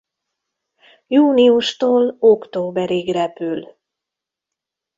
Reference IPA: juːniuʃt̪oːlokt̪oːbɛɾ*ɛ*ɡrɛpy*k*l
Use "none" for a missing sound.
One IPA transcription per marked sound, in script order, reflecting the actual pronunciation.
i, none

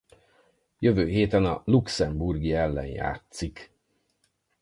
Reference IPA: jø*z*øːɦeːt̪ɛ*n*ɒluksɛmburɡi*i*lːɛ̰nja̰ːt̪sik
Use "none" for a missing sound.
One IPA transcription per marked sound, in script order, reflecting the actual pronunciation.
v, n, ɛ

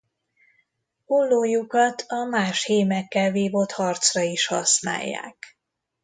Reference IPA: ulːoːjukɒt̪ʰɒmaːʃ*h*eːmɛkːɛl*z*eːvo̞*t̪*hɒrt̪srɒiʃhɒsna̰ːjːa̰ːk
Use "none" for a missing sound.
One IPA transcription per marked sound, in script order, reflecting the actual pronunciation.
h, v, t̪

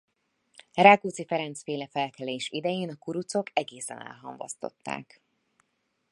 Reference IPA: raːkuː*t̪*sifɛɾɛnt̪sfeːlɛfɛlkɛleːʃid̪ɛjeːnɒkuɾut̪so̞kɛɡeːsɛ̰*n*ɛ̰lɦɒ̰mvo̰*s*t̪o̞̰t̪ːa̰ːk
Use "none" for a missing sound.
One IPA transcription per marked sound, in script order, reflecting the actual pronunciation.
t̪, n, s

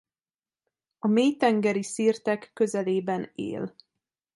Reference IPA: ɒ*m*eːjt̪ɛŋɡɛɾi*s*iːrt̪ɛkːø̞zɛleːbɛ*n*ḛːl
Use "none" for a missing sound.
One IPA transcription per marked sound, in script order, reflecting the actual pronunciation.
m, s, n

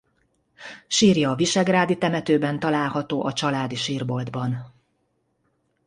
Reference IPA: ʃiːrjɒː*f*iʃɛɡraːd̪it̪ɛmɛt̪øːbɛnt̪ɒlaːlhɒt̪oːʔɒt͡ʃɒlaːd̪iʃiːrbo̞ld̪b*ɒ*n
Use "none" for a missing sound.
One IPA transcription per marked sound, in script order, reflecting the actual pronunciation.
v, ɒ

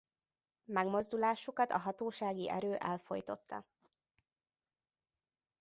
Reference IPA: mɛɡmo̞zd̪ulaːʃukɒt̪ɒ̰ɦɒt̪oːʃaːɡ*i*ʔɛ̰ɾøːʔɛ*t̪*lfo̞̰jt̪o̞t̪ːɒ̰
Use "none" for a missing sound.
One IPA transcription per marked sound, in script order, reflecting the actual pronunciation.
i, none

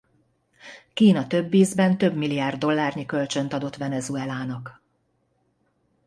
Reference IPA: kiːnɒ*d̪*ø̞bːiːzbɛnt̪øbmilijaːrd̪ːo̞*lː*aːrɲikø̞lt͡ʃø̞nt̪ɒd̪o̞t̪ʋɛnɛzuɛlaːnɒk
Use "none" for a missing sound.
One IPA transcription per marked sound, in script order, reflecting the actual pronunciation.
t̪, lː

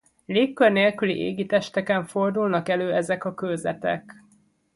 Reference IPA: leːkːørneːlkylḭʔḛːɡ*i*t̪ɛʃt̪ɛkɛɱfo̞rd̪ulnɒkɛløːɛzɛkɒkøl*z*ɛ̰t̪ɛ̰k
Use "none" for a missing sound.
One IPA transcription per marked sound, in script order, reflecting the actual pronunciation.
i, z

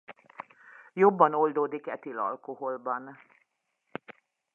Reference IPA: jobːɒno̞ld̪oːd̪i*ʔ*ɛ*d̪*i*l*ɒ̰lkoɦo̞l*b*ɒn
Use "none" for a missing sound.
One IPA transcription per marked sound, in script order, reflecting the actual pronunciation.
k, t̪, l, b

